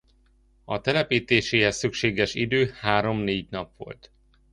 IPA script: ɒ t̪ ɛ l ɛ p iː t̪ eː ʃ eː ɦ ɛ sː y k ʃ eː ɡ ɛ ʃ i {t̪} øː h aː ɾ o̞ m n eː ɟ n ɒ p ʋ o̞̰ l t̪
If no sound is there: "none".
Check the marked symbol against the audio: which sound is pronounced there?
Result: d̪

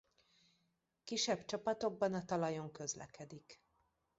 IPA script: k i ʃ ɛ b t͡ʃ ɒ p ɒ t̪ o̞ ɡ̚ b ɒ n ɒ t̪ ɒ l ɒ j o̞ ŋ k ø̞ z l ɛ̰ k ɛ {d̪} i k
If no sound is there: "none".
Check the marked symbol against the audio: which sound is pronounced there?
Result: d̪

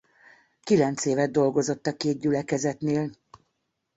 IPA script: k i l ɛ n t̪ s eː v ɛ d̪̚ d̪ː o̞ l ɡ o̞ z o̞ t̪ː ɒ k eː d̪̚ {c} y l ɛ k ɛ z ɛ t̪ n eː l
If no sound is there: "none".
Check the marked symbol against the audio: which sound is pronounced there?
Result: ɟ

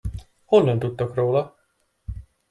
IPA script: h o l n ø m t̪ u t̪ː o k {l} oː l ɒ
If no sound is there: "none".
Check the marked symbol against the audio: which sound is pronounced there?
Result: r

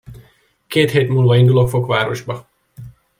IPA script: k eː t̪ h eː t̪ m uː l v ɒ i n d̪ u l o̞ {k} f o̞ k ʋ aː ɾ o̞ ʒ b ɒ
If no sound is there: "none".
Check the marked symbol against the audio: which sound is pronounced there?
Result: k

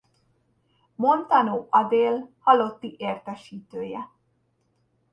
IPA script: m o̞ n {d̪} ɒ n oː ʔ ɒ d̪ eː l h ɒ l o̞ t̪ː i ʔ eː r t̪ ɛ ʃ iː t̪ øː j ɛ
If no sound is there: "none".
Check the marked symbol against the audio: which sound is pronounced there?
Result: t̪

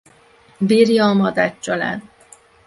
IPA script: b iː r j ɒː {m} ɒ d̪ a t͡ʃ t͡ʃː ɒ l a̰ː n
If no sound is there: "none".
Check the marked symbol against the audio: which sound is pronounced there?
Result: m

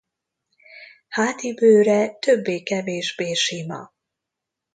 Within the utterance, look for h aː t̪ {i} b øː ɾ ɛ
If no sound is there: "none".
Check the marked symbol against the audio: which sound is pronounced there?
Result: i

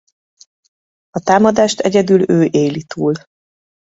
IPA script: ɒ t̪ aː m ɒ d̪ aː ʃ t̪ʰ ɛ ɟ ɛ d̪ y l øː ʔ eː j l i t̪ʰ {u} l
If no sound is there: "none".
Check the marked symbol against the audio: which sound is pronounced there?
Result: uː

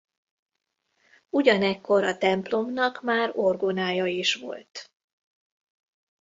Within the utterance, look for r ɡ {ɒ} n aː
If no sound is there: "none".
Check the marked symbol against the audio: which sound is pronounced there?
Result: o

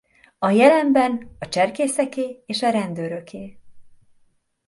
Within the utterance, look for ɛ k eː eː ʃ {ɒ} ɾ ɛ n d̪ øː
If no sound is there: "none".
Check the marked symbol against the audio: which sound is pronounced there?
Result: ɒ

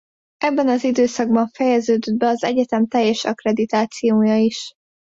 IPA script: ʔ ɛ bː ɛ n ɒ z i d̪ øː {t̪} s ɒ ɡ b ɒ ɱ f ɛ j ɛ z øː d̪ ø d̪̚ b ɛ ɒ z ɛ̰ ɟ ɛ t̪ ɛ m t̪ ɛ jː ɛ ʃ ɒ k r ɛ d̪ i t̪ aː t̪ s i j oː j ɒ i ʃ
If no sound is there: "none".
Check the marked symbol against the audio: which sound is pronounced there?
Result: none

